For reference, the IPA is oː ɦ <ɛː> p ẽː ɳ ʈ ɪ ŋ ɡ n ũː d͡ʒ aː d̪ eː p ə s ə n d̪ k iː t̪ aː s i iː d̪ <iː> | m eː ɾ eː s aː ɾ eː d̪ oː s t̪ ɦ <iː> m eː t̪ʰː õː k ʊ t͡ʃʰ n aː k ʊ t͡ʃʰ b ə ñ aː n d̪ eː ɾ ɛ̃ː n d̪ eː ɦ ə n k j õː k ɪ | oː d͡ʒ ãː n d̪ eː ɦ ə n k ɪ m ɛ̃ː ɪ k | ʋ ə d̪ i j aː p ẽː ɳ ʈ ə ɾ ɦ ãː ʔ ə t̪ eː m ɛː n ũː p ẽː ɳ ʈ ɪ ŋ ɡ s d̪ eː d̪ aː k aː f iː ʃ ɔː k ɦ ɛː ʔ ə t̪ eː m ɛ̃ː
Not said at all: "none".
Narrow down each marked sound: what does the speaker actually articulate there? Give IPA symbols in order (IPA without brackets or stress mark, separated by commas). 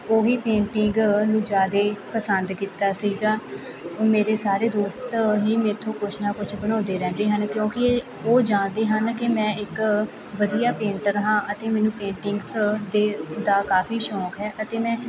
iː, aː, iː